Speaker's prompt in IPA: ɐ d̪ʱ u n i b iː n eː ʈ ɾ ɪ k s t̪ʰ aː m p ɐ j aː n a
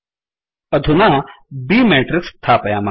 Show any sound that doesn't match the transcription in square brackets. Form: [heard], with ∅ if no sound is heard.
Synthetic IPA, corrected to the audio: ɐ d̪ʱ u n [a] b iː [m] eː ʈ ɾ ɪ k s t̪ʰ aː [∅] p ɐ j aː [m] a

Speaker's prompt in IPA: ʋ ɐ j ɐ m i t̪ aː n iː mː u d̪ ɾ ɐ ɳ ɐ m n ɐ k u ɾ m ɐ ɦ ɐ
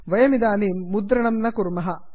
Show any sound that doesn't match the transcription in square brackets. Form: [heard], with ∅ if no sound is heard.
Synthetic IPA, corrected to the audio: ʋ ɐ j ɐ m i [d̪] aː n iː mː u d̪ ɾ ɐ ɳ ɐ m n ɐ k u ɾ m ɐ ɦ ɐ

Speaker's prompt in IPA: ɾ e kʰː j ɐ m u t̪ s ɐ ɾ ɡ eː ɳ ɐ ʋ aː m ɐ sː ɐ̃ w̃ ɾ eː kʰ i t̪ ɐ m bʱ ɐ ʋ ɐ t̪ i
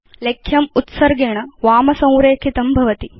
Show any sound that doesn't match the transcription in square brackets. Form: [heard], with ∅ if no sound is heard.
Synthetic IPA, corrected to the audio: [l] e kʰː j ɐ m u t̪ s ɐ ɾ ɡ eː ɳ ɐ ʋ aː m ɐ [s] ɐ̃ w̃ ɾ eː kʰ i t̪ ɐ m bʱ ɐ ʋ ɐ t̪ i

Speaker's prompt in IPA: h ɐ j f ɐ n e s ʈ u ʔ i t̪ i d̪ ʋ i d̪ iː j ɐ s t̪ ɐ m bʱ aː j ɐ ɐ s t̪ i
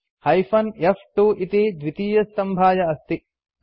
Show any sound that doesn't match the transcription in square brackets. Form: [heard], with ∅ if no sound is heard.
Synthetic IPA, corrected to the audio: h ɐ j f ɐ n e [f] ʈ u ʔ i t̪ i d̪ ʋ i [t̪] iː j ɐ s t̪ ɐ m bʱ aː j ɐ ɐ s t̪ i

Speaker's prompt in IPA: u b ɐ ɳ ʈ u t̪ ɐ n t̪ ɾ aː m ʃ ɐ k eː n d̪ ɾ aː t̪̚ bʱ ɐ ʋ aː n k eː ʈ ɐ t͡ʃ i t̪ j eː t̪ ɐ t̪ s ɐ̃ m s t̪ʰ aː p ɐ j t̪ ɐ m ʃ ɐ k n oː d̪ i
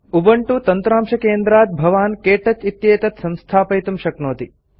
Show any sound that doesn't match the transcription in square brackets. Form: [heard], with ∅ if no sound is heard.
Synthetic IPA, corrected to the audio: u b ɐ ɳ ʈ u t̪ ɐ n t̪ ɾ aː m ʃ ɐ k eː n d̪ ɾ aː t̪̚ bʱ ɐ ʋ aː n k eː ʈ ɐ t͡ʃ i t̪ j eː t̪ ɐ t̪ s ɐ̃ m s t̪ʰ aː p ɐ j t̪ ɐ m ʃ ɐ k n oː [t̪] i

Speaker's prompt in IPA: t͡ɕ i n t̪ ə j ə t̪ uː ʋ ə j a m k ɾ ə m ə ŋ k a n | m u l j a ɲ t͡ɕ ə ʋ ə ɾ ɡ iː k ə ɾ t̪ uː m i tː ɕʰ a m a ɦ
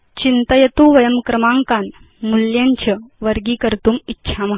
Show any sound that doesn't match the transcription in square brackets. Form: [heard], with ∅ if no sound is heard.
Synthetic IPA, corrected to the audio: t͡ɕ i n t̪ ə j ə t̪ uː ʋ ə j [ə] m k ɾ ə m [a] ŋ k a n | m u l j a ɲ t͡ɕ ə ʋ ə ɾ ɡ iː k ə ɾ t̪ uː m i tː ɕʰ a m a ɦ

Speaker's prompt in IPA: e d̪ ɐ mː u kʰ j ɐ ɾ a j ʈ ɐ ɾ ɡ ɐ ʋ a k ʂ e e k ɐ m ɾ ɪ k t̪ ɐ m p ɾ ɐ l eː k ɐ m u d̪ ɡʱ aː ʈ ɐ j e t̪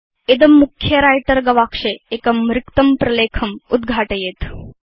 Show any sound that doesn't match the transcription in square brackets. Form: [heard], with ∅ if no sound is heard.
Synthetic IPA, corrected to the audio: e d̪ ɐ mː u kʰ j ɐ ɾ a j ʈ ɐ ɾ ɡ ɐ ʋ a k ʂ e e k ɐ m ɾ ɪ k t̪ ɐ m p ɾ ɐ l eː [kʰ] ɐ m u d̪ ɡʱ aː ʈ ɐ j e t̪

